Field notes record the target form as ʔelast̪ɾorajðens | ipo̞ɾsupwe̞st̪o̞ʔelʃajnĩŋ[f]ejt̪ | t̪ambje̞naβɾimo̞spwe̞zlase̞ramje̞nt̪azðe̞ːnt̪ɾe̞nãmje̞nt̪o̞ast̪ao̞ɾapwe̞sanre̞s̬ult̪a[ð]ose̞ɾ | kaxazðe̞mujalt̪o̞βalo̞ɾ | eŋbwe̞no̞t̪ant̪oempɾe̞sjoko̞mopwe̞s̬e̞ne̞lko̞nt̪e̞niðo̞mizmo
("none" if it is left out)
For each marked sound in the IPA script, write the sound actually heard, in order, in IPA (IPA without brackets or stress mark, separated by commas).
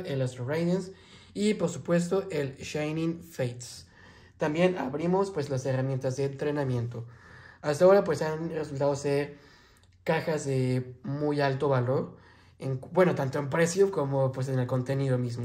f, ð